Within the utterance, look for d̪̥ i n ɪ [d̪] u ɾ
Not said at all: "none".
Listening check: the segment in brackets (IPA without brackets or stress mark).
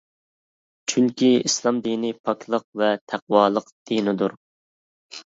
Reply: d̪